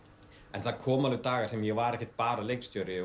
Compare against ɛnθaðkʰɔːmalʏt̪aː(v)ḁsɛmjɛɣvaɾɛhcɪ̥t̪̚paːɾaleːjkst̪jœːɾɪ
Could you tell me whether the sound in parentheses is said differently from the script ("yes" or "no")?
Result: yes